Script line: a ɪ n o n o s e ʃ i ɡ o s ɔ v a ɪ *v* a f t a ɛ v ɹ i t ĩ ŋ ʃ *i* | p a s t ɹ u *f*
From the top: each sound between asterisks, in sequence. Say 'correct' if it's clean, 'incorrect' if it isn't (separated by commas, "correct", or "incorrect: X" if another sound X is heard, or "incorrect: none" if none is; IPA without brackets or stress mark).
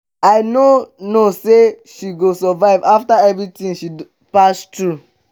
correct, correct, incorrect: none